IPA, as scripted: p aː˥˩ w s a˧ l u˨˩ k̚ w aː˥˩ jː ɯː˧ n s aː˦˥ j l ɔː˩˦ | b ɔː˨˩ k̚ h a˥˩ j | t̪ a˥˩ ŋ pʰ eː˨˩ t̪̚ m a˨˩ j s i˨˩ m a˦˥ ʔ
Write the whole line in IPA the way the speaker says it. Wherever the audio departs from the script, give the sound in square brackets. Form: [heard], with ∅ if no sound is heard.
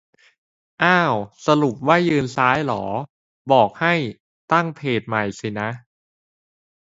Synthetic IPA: [ʔ] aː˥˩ w s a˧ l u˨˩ [p̚] w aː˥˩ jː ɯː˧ n s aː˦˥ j l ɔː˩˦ | b ɔː˨˩ k̚ h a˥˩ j | t̪ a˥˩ ŋ pʰ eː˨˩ t̪̚ m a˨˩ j s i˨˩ [n] a˦˥ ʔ